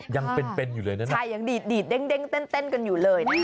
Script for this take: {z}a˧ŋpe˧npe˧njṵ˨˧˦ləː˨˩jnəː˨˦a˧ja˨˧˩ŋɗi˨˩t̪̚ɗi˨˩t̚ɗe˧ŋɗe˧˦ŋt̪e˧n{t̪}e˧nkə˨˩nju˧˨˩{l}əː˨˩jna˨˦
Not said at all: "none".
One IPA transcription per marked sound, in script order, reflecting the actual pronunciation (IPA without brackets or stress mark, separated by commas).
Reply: z, t̪, l